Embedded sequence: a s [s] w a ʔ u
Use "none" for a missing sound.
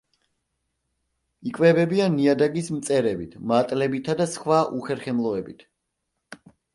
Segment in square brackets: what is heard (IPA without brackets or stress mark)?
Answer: χ